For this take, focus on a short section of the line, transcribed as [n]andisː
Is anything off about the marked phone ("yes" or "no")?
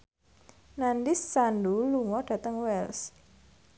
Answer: no